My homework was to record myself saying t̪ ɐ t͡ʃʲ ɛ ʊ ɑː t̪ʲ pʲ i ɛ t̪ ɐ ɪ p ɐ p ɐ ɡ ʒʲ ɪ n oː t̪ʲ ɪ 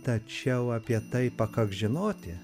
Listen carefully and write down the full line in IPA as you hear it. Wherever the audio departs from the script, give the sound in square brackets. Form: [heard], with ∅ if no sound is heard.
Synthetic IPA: t̪ ɐ t͡ʃʲ ɛ ʊ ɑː [∅] pʲ i ɛ t̪ ɐ ɪ p ɐ [k] ɐ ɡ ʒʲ ɪ n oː t̪ʲ ɪ